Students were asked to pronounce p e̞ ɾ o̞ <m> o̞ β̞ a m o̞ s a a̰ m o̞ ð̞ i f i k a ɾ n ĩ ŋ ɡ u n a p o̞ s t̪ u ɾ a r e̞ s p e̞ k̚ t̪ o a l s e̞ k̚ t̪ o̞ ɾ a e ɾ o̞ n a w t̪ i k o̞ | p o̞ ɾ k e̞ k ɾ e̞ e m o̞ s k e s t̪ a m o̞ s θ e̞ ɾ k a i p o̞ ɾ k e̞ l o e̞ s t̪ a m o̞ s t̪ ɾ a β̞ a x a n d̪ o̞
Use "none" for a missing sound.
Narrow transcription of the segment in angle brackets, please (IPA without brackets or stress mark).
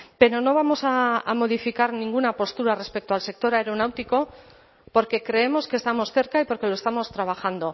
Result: n